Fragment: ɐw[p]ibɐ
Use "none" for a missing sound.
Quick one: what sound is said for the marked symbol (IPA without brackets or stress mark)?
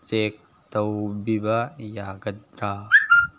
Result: b